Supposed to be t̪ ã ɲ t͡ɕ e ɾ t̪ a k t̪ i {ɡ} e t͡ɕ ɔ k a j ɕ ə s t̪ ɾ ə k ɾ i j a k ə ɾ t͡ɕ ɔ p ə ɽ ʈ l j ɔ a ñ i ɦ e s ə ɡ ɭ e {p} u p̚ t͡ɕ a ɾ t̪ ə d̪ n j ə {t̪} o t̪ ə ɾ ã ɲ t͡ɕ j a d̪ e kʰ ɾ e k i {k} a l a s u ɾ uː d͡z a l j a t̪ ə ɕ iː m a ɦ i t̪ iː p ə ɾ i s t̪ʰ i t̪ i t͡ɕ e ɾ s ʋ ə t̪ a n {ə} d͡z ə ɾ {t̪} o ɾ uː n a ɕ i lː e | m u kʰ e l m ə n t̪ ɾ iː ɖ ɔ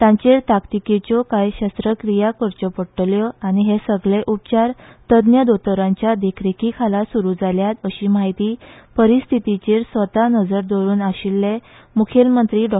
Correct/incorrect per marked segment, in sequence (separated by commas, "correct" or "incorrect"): incorrect, incorrect, incorrect, incorrect, correct, incorrect